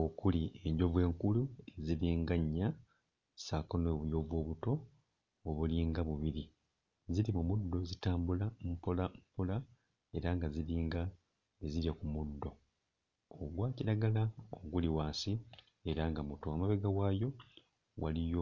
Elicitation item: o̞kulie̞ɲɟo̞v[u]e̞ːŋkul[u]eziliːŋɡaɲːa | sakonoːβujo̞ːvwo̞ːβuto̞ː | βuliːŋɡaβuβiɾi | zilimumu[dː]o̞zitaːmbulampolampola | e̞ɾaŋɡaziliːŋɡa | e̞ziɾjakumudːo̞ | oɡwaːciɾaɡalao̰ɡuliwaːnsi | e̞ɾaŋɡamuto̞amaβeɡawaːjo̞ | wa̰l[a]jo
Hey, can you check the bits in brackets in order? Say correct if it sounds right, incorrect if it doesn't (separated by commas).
incorrect, correct, correct, incorrect